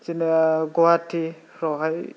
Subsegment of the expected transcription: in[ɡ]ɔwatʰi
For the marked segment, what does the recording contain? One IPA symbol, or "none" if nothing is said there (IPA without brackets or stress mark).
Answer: ɡ